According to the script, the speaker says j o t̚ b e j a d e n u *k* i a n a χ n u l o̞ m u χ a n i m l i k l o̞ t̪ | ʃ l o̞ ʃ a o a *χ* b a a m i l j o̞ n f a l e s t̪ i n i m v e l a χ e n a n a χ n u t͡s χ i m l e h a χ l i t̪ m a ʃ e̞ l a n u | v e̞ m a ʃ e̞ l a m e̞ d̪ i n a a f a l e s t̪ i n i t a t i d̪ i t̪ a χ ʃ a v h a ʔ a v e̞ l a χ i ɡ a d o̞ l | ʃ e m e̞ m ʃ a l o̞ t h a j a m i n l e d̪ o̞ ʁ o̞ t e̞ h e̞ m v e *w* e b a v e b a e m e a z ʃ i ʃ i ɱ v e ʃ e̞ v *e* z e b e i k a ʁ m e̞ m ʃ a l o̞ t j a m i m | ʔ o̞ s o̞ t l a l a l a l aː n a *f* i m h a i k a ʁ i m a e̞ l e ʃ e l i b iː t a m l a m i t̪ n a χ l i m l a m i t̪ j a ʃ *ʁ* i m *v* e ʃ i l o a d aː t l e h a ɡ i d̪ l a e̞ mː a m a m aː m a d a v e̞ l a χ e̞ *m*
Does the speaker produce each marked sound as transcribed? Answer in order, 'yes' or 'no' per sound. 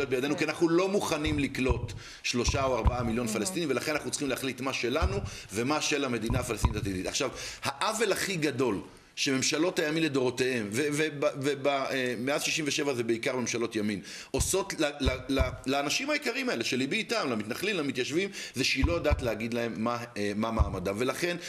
yes, no, no, no, no, no, no, no

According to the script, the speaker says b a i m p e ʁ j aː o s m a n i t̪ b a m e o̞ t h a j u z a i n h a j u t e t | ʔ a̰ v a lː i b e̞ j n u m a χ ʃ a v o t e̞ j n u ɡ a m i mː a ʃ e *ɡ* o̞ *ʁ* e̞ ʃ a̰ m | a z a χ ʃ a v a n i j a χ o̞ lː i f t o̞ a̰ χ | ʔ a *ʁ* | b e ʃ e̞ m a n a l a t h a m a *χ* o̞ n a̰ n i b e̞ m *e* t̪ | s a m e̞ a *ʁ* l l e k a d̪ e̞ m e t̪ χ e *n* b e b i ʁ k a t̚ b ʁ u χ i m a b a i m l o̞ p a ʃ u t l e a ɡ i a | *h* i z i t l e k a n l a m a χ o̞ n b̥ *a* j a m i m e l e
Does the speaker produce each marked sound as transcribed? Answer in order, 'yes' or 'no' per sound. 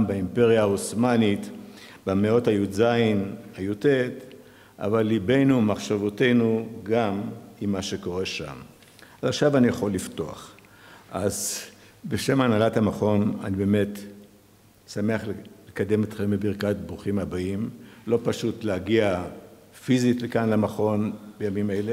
no, yes, no, yes, yes, no, no, no, no

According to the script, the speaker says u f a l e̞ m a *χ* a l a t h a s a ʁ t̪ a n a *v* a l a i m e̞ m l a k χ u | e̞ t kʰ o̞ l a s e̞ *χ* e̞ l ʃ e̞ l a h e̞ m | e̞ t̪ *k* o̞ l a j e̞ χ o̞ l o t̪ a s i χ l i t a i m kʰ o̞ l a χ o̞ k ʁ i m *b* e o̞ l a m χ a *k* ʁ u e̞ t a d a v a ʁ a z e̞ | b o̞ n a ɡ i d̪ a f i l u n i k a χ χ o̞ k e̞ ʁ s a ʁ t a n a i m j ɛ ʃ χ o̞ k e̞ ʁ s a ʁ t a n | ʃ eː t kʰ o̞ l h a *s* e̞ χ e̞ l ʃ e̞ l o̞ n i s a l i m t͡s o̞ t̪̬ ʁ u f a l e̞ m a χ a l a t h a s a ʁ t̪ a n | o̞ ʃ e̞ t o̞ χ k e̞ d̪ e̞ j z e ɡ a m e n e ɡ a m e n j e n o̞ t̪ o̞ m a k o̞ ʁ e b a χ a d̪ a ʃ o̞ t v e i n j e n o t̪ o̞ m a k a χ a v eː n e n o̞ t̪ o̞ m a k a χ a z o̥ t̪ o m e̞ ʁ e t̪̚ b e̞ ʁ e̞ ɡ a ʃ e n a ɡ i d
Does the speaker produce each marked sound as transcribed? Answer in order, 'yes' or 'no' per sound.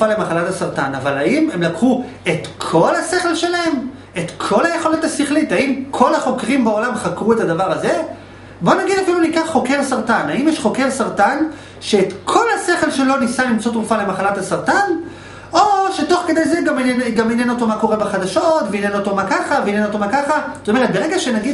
yes, yes, yes, no, yes, yes, yes

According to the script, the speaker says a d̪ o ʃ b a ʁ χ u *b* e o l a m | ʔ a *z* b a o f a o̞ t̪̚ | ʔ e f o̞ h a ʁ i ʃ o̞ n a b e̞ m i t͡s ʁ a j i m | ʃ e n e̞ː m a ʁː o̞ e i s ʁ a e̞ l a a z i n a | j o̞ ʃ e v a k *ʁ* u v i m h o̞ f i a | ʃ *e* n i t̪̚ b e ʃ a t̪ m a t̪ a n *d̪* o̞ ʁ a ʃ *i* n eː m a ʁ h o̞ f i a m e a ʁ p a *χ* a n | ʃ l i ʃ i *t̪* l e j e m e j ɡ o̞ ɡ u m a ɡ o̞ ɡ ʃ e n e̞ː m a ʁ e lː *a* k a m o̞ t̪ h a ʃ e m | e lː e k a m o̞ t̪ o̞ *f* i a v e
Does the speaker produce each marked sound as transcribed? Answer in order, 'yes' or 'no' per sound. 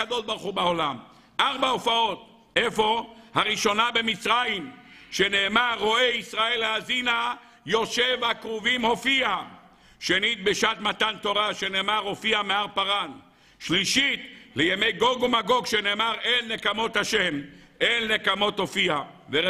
yes, no, yes, yes, no, no, no, yes, no, yes

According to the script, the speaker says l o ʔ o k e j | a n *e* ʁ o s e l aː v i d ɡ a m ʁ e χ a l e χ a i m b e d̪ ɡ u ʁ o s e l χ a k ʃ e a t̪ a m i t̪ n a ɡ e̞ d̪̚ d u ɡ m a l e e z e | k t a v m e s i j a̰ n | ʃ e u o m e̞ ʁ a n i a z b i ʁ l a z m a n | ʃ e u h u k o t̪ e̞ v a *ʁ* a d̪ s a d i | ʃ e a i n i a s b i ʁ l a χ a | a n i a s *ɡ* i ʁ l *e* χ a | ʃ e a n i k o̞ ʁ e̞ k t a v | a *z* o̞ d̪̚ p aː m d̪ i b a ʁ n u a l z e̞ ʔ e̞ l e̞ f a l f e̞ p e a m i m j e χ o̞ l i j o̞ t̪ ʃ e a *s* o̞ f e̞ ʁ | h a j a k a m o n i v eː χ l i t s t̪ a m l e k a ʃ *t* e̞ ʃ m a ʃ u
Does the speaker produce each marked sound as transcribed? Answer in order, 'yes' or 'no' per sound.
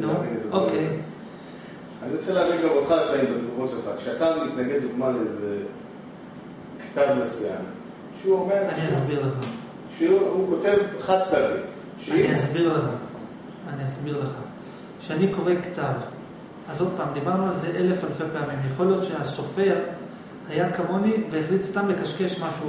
no, no, no, yes, yes, yes, no

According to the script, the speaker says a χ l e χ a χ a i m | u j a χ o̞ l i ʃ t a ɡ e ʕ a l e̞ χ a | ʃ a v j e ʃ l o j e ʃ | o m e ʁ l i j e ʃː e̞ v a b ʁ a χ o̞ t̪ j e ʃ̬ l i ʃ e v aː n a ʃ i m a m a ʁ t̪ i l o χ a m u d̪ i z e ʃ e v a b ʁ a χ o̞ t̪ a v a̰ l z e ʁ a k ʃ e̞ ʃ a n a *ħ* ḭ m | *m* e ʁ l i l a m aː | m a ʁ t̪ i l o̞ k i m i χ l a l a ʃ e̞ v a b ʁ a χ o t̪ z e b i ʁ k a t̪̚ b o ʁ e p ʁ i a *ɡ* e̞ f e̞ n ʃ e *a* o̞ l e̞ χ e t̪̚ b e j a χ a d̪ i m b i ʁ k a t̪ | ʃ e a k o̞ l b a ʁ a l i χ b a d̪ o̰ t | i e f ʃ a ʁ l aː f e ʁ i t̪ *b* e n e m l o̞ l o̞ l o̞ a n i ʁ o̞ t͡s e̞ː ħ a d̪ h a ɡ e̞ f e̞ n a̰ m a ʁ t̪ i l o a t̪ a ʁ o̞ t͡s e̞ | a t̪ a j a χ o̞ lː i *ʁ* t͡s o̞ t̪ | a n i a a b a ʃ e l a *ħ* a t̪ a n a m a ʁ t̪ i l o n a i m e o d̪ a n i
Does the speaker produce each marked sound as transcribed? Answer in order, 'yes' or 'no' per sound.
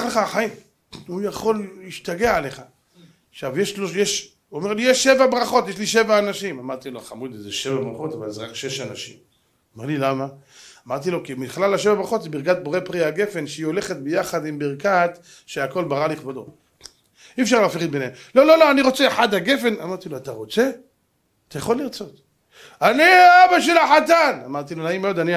no, yes, yes, no, yes, yes, yes

